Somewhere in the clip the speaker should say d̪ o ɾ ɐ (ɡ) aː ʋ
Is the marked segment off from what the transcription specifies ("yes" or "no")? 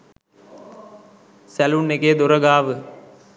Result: no